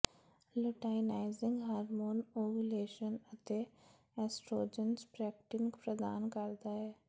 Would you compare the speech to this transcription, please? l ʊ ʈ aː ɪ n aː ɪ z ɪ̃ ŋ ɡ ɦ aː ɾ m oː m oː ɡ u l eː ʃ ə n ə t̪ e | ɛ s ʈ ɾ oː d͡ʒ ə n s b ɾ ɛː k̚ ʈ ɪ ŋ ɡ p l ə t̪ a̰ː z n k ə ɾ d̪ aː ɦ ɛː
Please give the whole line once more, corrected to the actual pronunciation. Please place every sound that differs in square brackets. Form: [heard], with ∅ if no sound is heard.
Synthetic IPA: l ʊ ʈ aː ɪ n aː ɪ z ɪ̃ ŋ ɡ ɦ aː ɾ m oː [n] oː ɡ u l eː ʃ ə n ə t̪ e | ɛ s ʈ ɾ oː d͡ʒ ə n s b ɾ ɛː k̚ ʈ ɪ ŋ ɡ p [ɾ] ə [d̪] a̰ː [∅] n k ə ɾ d̪ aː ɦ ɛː